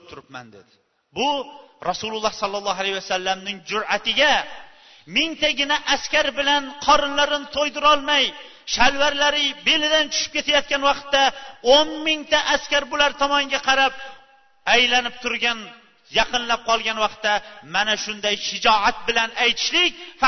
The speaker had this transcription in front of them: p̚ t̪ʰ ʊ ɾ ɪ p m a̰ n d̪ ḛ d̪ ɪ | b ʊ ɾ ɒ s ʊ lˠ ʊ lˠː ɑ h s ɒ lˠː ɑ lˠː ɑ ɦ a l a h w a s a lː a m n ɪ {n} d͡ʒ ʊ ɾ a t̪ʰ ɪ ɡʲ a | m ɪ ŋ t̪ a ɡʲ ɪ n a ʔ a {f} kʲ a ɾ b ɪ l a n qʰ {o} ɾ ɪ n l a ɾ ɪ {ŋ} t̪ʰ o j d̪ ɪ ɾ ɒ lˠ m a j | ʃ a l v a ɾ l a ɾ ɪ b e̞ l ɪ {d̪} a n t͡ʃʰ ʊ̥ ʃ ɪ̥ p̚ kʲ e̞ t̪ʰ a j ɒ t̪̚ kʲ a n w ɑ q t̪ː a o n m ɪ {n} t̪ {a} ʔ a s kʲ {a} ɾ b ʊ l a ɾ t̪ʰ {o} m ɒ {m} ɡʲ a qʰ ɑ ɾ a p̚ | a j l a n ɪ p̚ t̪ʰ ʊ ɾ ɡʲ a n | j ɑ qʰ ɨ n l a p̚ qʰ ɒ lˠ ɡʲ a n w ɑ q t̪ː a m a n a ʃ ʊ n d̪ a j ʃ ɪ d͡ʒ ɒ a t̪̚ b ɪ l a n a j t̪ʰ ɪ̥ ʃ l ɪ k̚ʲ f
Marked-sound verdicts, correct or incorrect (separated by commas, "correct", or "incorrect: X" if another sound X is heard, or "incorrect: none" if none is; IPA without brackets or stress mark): incorrect: ŋ, incorrect: s, incorrect: ɒ, incorrect: n, correct, incorrect: ŋ, correct, correct, incorrect: ɒ, incorrect: ŋ